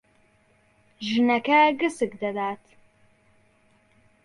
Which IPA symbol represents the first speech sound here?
ʒ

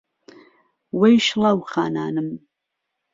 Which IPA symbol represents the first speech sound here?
w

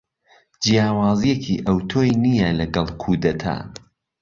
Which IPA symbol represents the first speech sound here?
d͡ʒ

